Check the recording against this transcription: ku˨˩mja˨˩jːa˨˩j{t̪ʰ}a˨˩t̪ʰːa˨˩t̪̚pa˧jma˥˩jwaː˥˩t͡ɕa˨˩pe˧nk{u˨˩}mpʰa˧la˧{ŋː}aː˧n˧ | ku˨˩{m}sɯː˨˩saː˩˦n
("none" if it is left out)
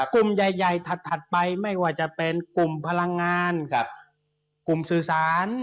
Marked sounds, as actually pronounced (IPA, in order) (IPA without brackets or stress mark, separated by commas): t̪ʰ, u˨˩, ŋː, m